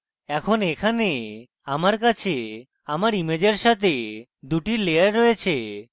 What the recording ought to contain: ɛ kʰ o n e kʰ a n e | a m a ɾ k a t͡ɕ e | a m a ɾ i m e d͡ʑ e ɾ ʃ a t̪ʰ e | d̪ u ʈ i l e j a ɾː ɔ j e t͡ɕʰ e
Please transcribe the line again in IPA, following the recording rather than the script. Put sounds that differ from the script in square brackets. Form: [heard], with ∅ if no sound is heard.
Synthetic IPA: ɛ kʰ o n e kʰ a n e | a m a ɾ k a [t͡ɕʰ] e | a m a ɾ i m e d͡ʑ e ɾ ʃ a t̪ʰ e | d̪ u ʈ i l e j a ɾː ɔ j e t͡ɕʰ e